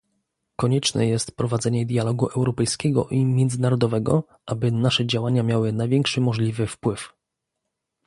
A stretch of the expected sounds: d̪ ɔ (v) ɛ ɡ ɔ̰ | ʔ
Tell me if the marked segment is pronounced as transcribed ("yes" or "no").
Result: yes